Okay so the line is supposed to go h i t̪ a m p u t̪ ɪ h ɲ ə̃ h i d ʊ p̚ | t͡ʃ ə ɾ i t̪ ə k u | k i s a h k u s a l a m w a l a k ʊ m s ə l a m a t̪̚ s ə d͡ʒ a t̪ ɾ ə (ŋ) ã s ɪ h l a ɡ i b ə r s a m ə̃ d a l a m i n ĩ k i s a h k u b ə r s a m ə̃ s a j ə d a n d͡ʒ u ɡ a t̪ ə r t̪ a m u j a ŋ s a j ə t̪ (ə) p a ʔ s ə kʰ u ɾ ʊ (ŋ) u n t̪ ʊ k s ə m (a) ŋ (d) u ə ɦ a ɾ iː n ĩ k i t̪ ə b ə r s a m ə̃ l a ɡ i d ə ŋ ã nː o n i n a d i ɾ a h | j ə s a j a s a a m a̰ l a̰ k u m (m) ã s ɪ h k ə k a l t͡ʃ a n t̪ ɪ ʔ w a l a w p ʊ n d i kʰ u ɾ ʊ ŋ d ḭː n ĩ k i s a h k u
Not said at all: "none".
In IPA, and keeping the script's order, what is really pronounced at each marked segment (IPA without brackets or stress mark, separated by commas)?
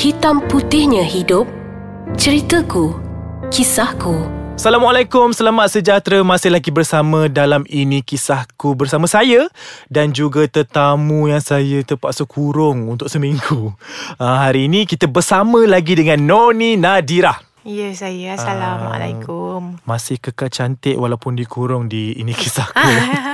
m, ə, ŋ, i, ɡ, m